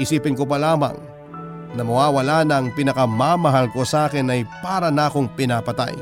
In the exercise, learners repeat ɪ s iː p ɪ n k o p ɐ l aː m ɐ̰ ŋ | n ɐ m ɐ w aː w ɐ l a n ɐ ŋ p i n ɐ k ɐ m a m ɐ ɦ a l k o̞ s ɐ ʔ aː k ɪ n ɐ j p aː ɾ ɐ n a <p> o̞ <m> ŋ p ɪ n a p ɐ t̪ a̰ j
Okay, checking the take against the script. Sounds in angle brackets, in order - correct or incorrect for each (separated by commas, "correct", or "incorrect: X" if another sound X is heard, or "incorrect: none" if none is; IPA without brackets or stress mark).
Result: incorrect: k, incorrect: none